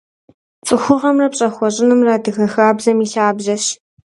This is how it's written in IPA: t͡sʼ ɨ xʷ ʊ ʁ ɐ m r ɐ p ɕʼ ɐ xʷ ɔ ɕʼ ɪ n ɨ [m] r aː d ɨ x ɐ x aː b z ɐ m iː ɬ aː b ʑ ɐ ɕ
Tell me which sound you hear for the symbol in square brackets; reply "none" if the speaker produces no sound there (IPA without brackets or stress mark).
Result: m